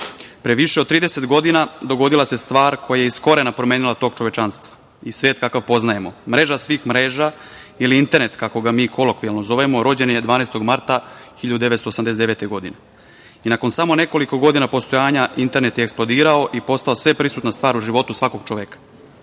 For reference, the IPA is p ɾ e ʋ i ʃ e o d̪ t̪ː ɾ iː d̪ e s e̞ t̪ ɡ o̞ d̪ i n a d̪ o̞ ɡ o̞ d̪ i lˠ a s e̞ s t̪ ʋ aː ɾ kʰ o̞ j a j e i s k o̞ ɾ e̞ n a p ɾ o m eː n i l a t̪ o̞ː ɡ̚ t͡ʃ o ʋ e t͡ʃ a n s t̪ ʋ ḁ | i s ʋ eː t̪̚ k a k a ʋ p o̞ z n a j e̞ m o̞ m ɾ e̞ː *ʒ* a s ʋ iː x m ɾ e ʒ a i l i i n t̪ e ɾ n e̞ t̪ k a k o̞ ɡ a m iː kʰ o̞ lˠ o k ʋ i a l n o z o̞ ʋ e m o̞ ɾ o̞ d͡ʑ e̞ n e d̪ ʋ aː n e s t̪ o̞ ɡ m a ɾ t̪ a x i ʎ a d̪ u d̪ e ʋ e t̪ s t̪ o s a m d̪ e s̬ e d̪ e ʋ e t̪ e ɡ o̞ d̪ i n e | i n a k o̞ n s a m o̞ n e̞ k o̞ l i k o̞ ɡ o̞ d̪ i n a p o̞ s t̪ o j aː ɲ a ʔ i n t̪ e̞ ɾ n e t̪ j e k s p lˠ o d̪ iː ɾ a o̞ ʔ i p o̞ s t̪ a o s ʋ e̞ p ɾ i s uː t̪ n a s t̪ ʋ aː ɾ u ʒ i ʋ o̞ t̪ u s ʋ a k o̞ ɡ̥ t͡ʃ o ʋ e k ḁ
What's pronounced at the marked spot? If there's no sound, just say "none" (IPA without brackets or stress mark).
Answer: ʒ